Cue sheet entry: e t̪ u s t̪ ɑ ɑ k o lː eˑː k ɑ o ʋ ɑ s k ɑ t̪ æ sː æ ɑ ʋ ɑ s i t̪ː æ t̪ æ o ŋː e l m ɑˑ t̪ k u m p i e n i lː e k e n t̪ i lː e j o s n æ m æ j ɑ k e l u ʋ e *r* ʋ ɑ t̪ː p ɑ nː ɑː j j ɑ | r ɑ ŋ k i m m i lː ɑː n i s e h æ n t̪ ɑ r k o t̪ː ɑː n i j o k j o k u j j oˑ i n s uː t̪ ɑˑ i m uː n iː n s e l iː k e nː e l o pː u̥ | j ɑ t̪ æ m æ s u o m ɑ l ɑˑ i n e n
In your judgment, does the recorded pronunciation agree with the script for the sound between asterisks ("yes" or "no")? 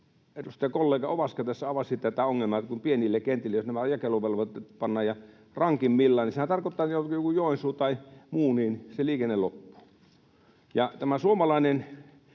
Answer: no